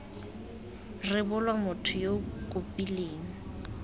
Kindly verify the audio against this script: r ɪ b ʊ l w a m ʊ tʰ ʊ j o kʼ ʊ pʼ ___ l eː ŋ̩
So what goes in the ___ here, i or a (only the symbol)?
i